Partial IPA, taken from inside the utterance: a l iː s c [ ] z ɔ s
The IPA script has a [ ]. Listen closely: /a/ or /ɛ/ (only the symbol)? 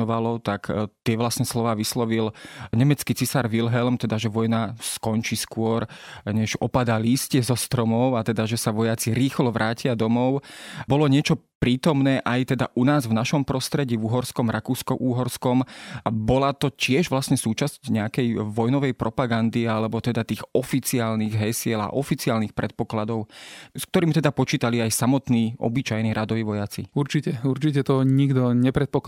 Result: ɛ